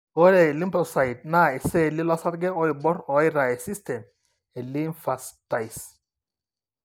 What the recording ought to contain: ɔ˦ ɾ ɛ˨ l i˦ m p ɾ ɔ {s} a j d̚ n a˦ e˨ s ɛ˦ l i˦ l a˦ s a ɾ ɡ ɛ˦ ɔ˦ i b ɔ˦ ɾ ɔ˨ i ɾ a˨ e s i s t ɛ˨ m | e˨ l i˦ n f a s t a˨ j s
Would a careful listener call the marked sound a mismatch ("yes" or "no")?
no